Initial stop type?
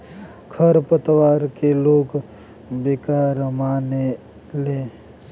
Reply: aspirated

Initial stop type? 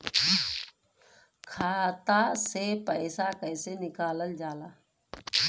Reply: aspirated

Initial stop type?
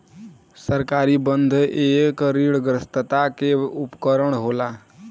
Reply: plain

